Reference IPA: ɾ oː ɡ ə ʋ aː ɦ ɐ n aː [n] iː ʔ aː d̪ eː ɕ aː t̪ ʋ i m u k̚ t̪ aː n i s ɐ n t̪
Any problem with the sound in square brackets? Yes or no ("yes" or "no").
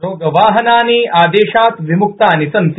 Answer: no